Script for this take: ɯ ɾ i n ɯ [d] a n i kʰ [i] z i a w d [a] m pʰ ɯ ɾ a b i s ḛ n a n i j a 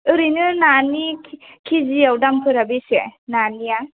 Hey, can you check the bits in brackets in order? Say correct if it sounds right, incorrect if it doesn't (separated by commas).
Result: incorrect, correct, correct